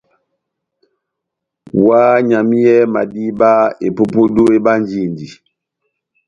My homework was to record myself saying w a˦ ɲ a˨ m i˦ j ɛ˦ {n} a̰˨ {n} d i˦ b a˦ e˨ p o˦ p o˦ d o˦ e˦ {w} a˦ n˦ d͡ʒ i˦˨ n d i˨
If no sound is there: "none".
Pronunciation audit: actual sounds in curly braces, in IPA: m, none, b

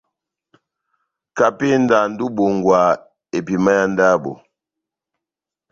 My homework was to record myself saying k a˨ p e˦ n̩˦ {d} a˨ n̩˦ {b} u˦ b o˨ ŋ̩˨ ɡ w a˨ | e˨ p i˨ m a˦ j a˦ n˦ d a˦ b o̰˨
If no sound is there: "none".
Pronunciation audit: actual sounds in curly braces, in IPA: d, d

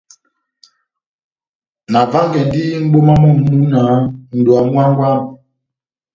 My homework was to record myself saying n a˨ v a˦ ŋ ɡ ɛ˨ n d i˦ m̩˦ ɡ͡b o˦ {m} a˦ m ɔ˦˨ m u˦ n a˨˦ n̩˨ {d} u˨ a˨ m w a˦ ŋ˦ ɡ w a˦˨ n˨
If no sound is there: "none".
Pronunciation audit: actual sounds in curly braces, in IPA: m, d

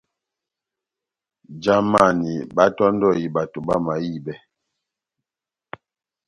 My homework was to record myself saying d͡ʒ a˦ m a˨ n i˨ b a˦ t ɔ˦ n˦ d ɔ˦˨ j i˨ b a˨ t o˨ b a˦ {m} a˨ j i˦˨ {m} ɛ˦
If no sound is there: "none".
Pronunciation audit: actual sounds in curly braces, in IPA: m, b

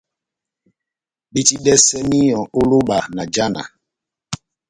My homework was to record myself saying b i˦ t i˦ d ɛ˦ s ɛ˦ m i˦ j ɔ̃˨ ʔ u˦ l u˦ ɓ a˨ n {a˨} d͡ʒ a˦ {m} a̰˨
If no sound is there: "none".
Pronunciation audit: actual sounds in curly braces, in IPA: a˨, n

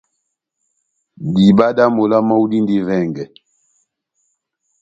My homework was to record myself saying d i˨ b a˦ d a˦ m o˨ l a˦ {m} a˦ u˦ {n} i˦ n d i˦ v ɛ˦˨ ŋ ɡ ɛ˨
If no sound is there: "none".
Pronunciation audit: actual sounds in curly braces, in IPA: m, d

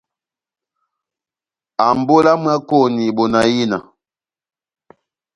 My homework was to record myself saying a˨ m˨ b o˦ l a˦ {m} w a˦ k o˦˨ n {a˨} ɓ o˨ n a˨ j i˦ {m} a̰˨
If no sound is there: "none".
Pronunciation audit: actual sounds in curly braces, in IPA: m, i˨, n

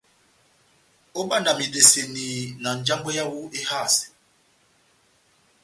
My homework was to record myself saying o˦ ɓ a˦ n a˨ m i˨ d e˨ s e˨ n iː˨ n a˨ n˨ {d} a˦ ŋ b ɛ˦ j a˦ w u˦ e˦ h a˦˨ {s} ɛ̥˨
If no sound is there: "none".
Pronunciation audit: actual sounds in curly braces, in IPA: d͡ʒ, s

